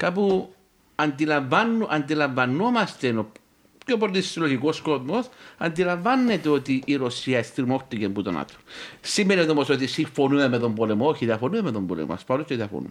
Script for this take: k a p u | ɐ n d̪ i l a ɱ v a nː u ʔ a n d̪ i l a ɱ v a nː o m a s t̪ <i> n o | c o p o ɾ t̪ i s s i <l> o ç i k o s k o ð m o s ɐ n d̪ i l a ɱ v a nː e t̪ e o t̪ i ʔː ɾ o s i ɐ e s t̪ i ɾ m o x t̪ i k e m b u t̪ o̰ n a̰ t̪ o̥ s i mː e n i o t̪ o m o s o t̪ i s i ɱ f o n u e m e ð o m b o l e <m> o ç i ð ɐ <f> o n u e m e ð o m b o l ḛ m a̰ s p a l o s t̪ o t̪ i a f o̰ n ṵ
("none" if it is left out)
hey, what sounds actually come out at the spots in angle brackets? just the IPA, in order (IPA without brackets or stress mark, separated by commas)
e, l, m, f